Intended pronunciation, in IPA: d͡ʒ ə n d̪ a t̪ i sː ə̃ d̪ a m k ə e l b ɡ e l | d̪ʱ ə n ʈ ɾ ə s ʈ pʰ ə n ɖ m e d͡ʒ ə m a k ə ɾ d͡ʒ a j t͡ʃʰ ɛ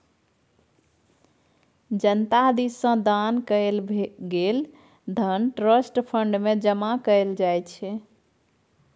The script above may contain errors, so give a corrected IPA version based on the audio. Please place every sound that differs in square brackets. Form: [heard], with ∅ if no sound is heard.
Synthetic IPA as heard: d͡ʒ ə n [t̪] a [d̪] i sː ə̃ d̪ a [n] k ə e l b ɡ e l | d̪ʱ ə n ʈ ɾ ə s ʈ pʰ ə [ɳ] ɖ m e d͡ʒ ə m a k ə [l] d͡ʒ a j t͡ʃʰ ɛ